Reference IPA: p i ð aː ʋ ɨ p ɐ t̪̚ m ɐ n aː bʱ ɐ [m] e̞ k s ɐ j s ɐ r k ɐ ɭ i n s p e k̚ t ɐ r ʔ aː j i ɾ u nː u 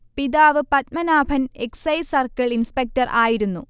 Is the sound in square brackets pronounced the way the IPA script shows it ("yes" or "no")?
no